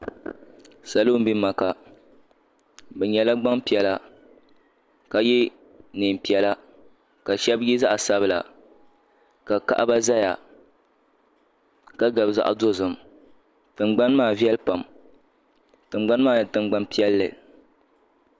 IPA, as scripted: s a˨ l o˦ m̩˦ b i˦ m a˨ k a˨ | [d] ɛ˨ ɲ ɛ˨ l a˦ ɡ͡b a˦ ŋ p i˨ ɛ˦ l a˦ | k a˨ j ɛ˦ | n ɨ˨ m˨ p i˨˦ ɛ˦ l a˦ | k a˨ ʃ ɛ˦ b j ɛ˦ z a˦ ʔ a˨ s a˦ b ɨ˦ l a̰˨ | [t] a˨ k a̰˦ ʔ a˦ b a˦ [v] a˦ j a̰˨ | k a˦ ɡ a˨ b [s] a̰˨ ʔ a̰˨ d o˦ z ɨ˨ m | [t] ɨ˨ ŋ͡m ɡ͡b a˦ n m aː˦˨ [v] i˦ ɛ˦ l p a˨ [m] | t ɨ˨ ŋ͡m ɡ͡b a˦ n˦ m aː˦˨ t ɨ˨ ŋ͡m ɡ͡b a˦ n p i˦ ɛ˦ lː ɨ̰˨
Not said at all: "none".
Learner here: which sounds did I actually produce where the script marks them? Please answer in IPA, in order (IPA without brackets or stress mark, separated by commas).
b, k, z, z, t, v, m